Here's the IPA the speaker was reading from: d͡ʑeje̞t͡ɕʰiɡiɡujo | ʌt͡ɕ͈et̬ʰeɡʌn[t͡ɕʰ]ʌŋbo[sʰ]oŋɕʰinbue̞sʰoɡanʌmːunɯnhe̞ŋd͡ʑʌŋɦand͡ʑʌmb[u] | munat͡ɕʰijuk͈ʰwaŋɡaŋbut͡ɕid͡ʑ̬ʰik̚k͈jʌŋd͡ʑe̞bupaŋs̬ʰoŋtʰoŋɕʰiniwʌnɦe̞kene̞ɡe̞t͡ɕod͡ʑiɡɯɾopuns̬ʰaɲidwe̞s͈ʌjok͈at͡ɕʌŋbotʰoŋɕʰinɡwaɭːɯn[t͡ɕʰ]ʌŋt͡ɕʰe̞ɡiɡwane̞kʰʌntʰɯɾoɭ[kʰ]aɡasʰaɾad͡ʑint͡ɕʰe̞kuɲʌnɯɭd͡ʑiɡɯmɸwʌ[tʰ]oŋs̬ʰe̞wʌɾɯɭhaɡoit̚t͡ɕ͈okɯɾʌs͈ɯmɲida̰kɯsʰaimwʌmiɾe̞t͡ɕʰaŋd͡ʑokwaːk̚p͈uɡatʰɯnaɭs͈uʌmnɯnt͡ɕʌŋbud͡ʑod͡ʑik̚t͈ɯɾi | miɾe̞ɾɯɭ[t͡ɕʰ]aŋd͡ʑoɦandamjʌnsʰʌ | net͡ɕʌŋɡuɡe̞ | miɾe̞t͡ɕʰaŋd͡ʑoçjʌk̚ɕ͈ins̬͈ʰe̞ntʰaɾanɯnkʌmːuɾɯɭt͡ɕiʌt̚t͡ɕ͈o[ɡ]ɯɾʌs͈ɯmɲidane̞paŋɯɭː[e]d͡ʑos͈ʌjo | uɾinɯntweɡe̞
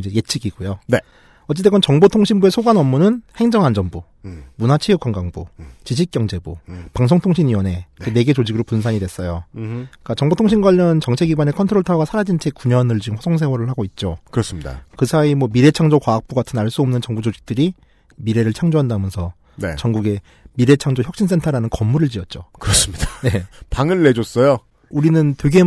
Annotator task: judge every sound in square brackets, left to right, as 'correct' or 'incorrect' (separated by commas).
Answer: incorrect, incorrect, correct, incorrect, incorrect, incorrect, correct, incorrect, correct